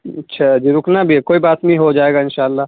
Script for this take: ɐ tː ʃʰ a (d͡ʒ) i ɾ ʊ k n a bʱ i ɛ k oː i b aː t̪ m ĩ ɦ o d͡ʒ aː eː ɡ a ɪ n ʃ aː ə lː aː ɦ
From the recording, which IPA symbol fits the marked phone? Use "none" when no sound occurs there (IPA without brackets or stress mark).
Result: d͡ʒ